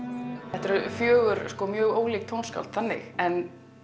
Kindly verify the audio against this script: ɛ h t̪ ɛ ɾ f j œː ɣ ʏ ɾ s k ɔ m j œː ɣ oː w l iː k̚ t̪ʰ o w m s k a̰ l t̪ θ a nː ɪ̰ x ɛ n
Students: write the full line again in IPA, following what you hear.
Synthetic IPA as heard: ɛ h t̪ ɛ ɾ f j œː ɣ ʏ ɾ s k ɔ m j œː ɣ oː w l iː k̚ t̪ʰ o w n s k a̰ l t̪ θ a nː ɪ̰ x ɛ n

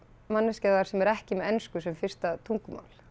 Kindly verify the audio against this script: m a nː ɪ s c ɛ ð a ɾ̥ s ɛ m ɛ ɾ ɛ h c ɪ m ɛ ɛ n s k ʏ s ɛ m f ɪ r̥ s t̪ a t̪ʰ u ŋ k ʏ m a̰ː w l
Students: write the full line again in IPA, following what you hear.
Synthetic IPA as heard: m a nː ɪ s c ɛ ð a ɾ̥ s ɛ m ɛ ɾ ɛ h c ɪ m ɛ ɛ n s k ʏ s ɛ m f ɪ r̥ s t̪ a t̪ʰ u ŋ k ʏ m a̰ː w l

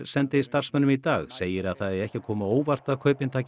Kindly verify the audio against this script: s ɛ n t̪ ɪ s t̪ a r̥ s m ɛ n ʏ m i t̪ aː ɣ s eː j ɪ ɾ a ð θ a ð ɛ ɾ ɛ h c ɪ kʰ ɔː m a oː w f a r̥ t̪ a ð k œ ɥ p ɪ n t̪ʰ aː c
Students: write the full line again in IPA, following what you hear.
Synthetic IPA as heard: s ɛ n t̪ ɪ s t̪ a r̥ s m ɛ n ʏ m i t̪ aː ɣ s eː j ɪ ɾ a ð θ a ð ɛ ɾ ɛ h c ɪ kʰ ɔː m a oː w v a r̥ t̪ a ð kʰ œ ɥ p ɪ n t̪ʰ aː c

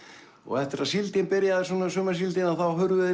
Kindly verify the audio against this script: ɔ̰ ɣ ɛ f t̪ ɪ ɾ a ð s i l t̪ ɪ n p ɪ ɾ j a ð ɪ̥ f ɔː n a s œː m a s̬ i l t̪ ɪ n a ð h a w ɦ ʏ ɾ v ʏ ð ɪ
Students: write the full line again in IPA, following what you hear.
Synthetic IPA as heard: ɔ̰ ɣ ɛ f t̪ ɪ ɾ a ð s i l t̪ ɪ n p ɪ ɾ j a ð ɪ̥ s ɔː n a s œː m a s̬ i l t̪ ɪ n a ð θ a w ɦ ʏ ɾ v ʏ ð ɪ

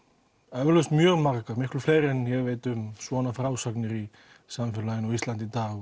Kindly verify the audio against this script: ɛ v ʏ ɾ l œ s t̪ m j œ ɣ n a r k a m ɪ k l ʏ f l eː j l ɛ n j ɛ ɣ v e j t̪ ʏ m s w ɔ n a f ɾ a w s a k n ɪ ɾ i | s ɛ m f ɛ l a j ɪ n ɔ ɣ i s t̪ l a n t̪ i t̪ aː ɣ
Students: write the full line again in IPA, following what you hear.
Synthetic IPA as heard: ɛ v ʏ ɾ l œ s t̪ m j œ ɣ m a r k a m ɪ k l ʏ f l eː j ɾ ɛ n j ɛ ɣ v e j t̪ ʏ m s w ɔ n a f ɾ a w s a k n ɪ ɾ i | s a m f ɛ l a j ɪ n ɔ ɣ i s t̪ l a n t̪ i t̪ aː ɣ

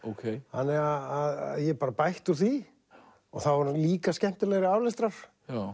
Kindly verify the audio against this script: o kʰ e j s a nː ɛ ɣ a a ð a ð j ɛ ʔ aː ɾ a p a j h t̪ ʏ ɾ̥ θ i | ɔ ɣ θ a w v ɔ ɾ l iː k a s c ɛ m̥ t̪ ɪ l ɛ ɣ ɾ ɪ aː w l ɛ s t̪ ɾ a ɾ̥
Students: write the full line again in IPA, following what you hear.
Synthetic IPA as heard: o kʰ e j h a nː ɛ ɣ a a ð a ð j ɛ p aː ɾ a p a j h t̪ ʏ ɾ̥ θ i | ɔ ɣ θ a w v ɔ ɾ l iː k a s c ɛ m̥ t̪ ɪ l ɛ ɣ ɾ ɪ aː w l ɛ s t̪ ɾ a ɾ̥

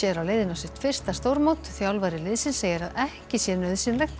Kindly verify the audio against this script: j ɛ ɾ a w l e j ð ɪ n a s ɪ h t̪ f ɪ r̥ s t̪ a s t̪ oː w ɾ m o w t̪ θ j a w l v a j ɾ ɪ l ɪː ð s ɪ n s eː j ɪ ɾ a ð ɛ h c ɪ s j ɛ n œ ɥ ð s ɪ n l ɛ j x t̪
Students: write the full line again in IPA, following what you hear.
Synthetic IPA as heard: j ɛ ɾ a w l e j ð ɪ n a s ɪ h t̪ f ɪ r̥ s t̪ a s t̪ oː w ɾ m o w t̪ θ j a w l v a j ɾ ɪ l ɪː ð s ɪ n s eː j ɪ ɾ a ð ɛ h c ɪ s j ɛ n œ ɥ ð s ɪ n l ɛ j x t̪

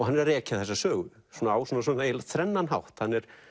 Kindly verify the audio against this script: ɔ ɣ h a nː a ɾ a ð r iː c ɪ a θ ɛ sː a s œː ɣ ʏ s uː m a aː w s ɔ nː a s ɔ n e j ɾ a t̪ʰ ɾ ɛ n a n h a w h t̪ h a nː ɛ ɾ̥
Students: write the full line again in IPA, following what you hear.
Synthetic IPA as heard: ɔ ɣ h a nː ɛ ɾ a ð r ɛː c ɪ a θ ɛ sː a s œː ɣ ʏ s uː n a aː w s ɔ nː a s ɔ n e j l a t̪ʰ ɾ ɛ nː a n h a w h t̪ h a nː ɛ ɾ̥

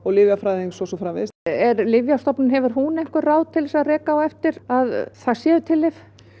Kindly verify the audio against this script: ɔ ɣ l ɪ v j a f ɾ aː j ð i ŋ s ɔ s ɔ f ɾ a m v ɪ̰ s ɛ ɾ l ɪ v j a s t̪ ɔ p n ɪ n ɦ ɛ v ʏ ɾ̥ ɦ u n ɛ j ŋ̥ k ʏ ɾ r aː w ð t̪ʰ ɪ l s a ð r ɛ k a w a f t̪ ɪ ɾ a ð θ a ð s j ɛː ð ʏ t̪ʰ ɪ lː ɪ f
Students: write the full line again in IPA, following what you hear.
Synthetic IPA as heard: ɔ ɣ l ɪ v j a f ɾ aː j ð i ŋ s ɔ s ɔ f ɾ a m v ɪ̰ s ɛ ɾ l ɪ v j a s t̪ ɔ p n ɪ n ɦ ɛ v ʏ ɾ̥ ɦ u n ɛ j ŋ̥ k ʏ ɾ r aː w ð t̪ʰ ɪ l s a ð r ɛː k a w ɛ f t̪ ɪ ɾ a ð θ a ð s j ɛː ð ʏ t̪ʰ ɪ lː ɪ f

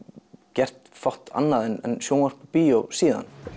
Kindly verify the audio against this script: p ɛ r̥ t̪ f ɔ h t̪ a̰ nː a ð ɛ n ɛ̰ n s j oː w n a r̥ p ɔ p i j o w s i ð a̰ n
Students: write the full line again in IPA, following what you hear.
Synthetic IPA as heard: c ɛ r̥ t̪ f ɔ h t̪ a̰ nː a ð ɛ n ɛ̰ n s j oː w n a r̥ p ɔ p i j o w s iː ð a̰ n

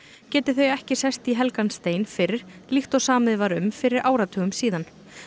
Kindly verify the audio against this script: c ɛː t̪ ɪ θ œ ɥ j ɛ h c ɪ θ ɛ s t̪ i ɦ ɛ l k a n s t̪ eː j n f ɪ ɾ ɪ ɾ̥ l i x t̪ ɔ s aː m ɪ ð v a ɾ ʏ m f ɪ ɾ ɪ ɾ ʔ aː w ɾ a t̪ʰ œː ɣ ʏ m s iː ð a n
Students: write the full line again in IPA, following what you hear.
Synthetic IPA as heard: c ɛː t̪ ɪ θ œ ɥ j ɛ h c ɪ s ɛ s t̪ i ɦ ɛ l k a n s t̪ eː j n f ɪ ɾ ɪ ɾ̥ l i x t̪ ɔ s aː m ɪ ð v a ɾ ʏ m f ɪ ɾ ɪ ɾ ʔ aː w ɾ a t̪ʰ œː ɣ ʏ m s iː ð a n

